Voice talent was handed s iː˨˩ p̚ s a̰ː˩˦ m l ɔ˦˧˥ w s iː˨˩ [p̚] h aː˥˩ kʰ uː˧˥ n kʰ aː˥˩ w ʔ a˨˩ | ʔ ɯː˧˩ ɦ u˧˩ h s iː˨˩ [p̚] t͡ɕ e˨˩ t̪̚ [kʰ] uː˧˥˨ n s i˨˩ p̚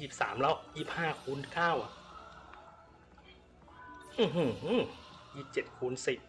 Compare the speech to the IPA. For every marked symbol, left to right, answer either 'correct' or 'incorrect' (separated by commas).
correct, correct, correct